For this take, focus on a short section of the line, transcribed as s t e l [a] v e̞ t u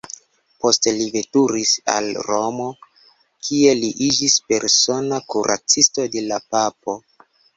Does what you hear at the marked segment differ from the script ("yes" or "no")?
yes